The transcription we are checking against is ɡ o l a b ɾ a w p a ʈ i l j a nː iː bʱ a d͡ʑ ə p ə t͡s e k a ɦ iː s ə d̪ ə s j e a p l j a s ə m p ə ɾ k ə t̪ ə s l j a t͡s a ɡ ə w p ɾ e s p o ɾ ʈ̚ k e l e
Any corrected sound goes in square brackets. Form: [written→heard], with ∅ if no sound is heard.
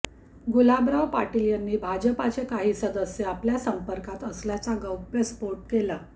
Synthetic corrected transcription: ɡ [o→u] l a b ɾ a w p a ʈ i l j a nː iː bʱ a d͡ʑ ə p [ə→a] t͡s e k a ɦ iː s ə d̪ ə s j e a p l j a s ə m p ə ɾ k [ə→a] t̪ ə s l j a t͡s a ɡ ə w p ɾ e s p o ɾ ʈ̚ k e l [e→a]